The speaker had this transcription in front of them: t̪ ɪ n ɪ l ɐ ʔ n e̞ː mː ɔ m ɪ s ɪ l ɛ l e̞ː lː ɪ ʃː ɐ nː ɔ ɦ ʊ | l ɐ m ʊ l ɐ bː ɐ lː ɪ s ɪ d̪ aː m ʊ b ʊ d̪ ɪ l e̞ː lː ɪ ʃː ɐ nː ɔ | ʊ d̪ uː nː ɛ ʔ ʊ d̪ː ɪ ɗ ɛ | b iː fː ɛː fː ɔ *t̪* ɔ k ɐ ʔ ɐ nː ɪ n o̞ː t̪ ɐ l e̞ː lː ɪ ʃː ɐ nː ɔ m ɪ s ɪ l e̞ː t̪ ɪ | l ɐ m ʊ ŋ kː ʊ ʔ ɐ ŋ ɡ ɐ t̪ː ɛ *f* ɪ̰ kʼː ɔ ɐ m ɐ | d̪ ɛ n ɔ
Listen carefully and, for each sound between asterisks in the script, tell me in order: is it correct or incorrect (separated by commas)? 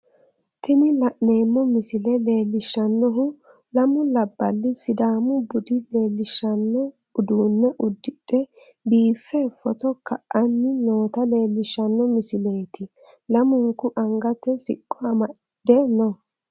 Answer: correct, incorrect